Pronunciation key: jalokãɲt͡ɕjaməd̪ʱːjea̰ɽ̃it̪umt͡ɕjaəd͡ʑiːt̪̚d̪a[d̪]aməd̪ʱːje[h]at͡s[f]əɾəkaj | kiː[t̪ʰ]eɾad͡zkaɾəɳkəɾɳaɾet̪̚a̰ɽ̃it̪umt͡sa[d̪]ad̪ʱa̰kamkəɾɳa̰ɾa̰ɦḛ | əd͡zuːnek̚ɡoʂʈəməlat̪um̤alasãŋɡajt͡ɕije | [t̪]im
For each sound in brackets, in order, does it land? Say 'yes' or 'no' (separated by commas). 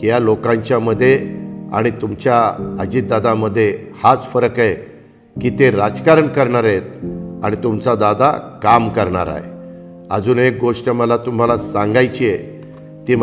yes, yes, yes, no, yes, yes